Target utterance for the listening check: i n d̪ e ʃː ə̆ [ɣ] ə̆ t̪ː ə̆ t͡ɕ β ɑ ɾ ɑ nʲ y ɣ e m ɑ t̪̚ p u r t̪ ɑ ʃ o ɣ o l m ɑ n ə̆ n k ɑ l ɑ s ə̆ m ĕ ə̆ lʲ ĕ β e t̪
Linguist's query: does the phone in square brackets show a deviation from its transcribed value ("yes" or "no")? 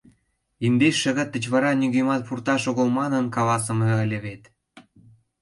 no